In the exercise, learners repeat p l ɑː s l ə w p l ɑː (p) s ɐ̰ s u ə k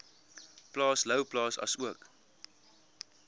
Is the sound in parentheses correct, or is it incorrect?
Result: incorrect